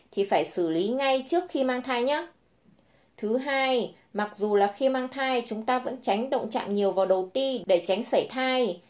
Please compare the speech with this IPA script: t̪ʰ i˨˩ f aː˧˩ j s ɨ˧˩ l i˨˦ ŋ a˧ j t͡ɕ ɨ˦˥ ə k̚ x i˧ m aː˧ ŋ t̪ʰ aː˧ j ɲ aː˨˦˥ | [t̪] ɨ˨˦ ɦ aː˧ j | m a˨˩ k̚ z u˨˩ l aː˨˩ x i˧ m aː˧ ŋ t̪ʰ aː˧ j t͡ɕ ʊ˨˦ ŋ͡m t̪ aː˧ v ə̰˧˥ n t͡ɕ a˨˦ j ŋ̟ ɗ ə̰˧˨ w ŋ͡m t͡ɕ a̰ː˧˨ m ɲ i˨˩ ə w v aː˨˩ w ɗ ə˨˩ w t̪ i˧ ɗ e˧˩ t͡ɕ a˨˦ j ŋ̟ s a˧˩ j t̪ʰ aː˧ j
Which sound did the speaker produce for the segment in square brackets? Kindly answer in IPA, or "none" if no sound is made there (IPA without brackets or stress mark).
t̪ʰ